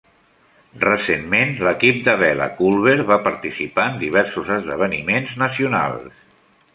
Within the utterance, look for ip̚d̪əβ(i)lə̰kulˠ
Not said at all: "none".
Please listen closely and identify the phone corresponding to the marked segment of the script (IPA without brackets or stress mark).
ɛ